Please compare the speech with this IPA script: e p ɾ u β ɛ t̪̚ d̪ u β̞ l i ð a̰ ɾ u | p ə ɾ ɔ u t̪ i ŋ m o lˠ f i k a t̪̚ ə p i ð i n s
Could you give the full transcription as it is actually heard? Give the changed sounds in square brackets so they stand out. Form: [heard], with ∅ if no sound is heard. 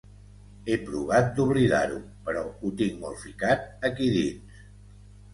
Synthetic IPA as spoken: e p ɾ u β [a] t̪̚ d̪ u β̞ l i ð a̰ ɾ u | p ə ɾ ɔ u t̪ i ŋ m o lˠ f i k a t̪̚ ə [k] i ð i n s